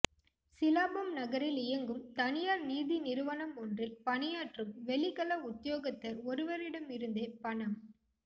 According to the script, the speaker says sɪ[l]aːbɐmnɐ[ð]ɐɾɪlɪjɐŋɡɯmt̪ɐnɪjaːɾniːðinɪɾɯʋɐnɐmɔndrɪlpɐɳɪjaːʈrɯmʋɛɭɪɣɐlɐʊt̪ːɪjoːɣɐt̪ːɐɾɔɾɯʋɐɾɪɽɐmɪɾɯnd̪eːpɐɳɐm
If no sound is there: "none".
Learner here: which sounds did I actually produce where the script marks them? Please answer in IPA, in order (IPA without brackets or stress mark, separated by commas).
l, ɣ